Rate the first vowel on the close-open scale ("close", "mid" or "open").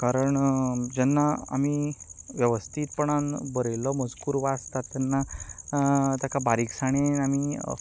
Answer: open